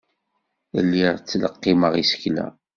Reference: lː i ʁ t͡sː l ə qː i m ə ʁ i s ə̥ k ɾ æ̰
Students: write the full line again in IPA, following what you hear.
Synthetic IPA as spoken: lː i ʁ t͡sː l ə qː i m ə ʁ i s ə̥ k l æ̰

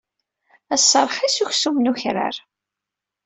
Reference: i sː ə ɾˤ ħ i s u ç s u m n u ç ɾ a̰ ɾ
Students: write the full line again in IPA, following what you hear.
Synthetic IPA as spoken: æ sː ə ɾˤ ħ i s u ç s u m n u ç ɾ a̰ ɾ

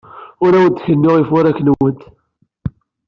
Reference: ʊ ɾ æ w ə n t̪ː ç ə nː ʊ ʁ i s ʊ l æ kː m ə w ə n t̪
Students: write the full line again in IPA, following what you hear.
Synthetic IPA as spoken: ʊ ɾ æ w ə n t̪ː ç ə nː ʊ ʁ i f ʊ ɾ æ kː n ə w ə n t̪

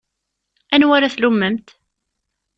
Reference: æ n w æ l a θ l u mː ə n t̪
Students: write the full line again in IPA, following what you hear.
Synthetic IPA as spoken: æ n w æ ɾ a θ l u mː ə m t̪

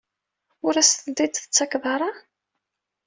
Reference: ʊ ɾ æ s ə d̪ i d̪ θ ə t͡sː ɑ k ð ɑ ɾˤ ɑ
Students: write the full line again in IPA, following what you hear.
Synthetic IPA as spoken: ʊ ɾ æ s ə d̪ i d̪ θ ə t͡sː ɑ k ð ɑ ɾˤ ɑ

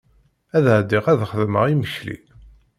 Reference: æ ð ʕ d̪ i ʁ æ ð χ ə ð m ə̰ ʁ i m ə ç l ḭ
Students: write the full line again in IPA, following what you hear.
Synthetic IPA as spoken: æ ð ʕ d̪ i ʁ æ ð χ ə ð m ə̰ ʁ i m ə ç l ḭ

